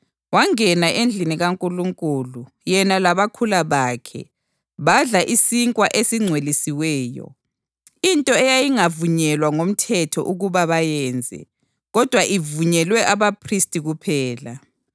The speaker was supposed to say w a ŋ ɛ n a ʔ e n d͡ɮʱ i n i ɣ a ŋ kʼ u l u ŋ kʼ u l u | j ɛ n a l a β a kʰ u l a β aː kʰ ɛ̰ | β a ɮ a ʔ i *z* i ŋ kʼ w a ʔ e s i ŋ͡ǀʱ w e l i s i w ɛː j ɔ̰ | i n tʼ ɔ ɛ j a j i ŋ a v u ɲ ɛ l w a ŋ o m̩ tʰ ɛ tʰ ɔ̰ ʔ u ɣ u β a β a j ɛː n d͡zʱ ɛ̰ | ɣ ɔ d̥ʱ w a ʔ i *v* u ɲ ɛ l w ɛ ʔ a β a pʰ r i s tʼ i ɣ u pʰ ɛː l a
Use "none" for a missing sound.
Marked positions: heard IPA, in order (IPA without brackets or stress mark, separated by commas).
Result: s, v